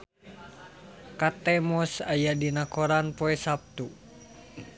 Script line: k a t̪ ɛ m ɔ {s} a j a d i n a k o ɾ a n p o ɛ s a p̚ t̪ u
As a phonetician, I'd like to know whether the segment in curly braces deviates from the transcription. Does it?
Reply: no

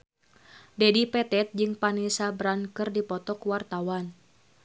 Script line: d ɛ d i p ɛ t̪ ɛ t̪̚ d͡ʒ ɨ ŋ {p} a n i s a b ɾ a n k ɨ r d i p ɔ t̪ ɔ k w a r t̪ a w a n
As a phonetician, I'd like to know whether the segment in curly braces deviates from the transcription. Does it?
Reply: no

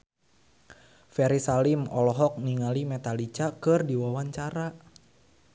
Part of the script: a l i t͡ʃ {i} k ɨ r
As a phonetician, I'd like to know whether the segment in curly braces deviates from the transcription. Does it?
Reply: yes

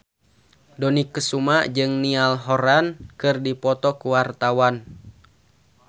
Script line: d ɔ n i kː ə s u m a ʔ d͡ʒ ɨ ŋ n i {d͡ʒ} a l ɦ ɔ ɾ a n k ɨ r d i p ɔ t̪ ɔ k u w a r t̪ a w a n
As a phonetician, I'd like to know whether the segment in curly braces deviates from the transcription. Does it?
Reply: yes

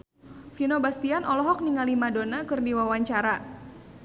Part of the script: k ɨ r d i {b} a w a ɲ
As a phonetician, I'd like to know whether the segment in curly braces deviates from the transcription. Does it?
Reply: yes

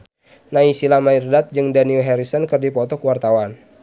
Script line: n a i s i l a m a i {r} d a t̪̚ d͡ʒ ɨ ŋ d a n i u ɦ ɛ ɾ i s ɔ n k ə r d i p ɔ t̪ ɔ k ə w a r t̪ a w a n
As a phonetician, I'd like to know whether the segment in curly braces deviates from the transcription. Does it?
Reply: no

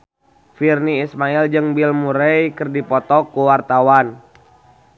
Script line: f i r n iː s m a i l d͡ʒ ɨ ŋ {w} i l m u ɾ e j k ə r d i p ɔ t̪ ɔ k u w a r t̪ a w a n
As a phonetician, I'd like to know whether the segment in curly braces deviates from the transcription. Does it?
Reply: yes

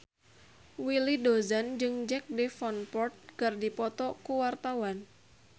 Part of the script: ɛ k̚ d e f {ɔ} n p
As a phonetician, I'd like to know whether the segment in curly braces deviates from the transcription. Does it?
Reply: no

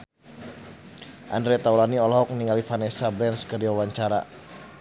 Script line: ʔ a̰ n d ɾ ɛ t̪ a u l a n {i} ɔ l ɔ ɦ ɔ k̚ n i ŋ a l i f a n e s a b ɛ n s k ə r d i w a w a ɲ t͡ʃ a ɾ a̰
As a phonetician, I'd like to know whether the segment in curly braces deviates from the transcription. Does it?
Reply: no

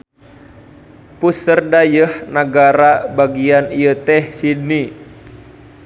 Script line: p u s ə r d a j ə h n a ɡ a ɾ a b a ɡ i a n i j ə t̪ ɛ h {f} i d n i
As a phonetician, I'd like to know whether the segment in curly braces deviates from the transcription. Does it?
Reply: yes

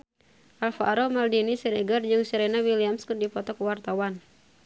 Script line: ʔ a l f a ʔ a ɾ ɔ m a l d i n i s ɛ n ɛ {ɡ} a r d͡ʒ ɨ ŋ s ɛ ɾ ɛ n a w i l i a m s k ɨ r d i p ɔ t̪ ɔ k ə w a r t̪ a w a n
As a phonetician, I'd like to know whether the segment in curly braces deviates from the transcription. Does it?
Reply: no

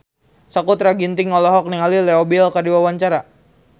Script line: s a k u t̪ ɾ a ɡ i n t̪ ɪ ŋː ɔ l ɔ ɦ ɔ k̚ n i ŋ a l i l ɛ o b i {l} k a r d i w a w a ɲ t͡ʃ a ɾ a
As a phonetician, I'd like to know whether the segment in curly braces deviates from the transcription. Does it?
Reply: no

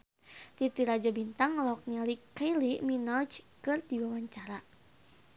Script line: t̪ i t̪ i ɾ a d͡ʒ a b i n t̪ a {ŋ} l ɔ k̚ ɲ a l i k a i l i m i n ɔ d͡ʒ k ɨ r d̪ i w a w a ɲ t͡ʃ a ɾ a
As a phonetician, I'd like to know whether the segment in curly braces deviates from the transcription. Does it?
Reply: no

